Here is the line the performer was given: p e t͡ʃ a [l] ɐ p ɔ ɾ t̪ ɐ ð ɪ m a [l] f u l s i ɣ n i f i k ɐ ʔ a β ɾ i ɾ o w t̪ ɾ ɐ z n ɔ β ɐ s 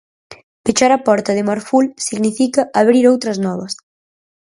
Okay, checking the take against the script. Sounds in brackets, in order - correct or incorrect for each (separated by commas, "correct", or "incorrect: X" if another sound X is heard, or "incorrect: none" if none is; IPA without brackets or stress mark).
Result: incorrect: ɾ, incorrect: ɾ